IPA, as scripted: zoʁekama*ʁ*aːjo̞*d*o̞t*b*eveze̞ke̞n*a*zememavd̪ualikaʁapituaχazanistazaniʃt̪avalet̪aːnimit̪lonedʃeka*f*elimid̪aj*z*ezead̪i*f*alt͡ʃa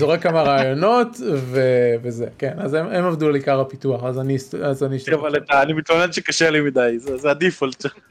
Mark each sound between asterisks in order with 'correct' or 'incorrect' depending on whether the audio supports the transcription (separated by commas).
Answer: correct, incorrect, incorrect, correct, incorrect, correct, correct